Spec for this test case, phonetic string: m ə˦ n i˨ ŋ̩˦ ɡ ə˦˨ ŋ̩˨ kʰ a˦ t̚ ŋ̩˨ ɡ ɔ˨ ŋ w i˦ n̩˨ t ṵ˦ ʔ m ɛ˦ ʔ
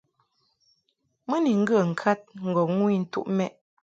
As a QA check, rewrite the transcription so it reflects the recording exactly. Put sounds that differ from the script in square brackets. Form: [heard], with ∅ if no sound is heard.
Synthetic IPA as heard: m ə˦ n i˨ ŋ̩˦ ɡ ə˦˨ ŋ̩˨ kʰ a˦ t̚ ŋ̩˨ ɡ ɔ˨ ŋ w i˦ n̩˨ t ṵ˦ ʔ m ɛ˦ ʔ